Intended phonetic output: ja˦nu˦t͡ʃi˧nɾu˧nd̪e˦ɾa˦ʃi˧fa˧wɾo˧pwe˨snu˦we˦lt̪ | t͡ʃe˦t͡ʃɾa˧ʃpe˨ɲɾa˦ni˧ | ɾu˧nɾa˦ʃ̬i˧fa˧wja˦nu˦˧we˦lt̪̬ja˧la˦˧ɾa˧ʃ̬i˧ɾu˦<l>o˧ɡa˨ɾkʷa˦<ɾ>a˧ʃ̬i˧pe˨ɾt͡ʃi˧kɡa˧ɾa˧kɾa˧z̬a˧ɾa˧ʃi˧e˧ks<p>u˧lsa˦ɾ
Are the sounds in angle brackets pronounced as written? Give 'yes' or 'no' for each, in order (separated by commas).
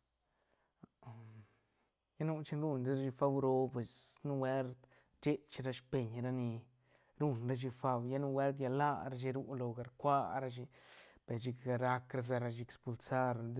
yes, yes, yes